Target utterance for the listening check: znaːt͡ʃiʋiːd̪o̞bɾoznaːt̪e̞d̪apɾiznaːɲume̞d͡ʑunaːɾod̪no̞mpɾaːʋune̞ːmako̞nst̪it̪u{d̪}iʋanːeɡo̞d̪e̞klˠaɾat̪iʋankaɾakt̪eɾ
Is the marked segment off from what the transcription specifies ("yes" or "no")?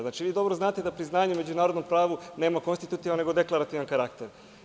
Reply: yes